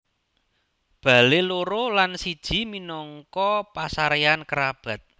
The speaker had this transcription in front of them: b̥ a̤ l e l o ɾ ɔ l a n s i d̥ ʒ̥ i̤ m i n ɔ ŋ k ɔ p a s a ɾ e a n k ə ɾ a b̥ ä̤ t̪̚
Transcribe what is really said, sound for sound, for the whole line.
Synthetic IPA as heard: b̥ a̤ l e l o ɾ o l a n s i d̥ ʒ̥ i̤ m i n ɔ ŋ k ɔ p a s a ɾ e a n k ə ɾ a b̥ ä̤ t̪̚